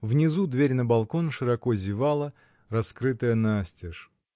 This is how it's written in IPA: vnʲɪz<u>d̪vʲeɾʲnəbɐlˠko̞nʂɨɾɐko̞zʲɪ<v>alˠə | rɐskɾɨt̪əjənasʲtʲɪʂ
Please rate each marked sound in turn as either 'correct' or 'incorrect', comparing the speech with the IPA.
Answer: correct, correct

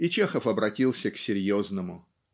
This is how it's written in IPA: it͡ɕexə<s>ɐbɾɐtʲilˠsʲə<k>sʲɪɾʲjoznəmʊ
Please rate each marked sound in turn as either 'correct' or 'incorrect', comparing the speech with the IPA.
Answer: incorrect: f, correct

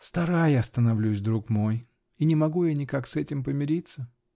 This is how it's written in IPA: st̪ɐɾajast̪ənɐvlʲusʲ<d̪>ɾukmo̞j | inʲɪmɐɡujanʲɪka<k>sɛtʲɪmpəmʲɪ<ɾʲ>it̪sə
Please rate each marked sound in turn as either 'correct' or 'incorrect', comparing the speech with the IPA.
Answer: correct, correct, correct

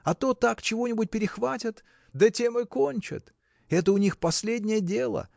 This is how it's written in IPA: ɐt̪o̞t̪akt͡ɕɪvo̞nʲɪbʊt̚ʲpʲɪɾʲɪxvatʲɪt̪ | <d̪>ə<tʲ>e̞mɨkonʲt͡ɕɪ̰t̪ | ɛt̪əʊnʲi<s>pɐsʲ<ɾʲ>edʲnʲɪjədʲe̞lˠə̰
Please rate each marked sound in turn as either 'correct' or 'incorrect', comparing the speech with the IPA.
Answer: correct, correct, incorrect: x, incorrect: lʲ

